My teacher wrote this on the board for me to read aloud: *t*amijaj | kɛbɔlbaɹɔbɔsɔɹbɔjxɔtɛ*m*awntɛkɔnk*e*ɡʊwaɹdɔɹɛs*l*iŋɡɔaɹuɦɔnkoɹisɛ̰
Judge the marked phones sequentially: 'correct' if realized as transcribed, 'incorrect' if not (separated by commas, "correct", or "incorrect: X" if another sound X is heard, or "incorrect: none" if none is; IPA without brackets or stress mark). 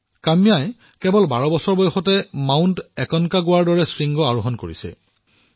incorrect: k, correct, incorrect: a, incorrect: ɹ